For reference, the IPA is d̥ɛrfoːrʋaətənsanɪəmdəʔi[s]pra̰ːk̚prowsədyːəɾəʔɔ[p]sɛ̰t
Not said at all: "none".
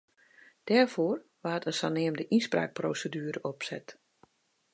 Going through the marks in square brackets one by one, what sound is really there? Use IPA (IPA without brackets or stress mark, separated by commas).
s, p